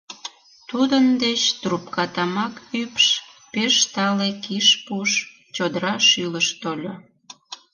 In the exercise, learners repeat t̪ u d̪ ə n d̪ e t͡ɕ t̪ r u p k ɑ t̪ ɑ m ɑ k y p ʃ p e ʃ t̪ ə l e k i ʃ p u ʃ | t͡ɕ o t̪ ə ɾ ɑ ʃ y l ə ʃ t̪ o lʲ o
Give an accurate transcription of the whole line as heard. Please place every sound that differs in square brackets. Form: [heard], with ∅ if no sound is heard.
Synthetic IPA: t̪ u d̪ ə n d̪ e t͡ɕ t̪ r u p k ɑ t̪ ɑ m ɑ k y p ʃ p e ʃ t̪ [ɑ] l e k i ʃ p u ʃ | t͡ɕ o [d̪] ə ɾ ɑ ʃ y l ə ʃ t̪ o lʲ o